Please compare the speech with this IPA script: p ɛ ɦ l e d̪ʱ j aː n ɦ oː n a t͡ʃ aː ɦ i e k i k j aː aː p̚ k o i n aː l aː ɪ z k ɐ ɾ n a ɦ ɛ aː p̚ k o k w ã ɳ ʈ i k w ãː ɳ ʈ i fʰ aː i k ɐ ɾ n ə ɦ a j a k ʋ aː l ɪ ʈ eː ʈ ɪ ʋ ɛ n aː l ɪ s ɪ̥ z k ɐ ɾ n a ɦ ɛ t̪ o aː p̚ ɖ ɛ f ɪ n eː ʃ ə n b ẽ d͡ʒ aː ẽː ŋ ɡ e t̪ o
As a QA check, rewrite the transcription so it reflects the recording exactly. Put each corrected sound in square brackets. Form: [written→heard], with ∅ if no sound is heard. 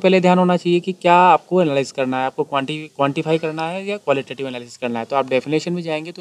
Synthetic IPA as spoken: p ɛ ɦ l e d̪ʱ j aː n ɦ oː n a t͡ʃ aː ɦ i e k i k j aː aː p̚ k o [i→ɛ] n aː l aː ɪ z k ɐ ɾ n a ɦ ɛ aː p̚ k o k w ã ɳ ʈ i k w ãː ɳ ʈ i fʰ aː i k ɐ ɾ n [ə→a] ɦ [a→ɛ] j a k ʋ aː l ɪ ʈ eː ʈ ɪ ʋ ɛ n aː l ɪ s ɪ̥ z k ɐ ɾ n a ɦ ɛ t̪ o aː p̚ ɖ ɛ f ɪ n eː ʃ ə n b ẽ d͡ʒ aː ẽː ŋ ɡ e t̪ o

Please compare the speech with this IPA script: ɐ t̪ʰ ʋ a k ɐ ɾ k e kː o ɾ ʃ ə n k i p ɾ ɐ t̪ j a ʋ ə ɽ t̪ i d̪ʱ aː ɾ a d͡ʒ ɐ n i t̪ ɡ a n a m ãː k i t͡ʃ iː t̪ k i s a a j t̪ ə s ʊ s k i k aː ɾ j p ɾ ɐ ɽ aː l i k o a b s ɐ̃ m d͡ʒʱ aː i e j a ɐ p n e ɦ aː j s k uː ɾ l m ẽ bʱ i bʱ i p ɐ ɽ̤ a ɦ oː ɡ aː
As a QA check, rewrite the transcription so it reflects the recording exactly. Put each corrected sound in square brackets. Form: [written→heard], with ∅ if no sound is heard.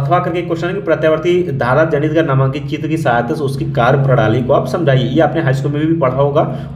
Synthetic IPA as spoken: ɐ t̪ʰ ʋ a k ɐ ɾ k e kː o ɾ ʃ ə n k i p ɾ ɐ t̪ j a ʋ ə [ɽ→ɾ] t̪ i d̪ʱ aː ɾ a d͡ʒ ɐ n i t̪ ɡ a n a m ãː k i t͡ʃ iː t̪ k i s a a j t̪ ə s ʊ s k i k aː ɾ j p ɾ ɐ ɽ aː l i k o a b s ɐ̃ m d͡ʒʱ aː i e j [a→e] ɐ p n e ɦ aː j s k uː [ɾ→∅] l m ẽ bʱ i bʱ i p ɐ ɽ̤ a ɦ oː ɡ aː

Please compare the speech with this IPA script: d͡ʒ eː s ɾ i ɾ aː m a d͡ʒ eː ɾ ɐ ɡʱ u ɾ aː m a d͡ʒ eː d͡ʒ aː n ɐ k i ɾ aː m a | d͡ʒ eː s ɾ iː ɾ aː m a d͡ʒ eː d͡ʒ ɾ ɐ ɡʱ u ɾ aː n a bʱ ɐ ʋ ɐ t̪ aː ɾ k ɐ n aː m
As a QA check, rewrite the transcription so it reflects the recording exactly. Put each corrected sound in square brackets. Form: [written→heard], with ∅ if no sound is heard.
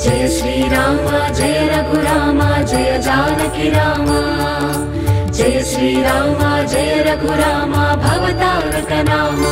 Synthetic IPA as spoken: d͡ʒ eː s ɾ i ɾ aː m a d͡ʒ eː ɾ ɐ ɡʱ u ɾ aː m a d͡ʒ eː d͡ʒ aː n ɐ k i ɾ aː m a | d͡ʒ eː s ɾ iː ɾ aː m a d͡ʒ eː [d͡ʒ→∅] ɾ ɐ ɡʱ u ɾ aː [n→m] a bʱ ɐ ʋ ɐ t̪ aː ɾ k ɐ n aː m

